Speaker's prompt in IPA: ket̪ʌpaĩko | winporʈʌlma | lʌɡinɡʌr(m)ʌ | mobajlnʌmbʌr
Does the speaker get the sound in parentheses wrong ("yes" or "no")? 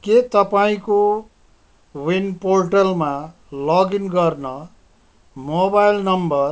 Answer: yes